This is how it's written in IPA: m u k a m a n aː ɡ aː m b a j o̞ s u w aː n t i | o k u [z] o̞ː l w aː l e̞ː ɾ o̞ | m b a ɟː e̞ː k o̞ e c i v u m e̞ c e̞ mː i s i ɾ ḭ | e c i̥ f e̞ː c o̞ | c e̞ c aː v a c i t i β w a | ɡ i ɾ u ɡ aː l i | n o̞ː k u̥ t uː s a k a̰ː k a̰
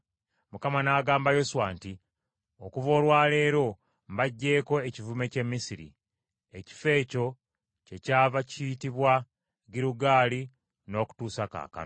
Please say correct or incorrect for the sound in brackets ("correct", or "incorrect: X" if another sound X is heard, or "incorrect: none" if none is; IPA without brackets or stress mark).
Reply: incorrect: v